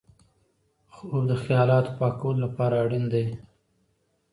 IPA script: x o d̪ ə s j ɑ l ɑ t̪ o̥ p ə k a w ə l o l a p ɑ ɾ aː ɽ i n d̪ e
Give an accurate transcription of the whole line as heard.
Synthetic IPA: x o d̪ ə x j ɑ l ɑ t̪ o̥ p ɑ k a w ə l o l a p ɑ ɾ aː ɽ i n d̪ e